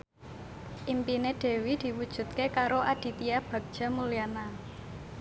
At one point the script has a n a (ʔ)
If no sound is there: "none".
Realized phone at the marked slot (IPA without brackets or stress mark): none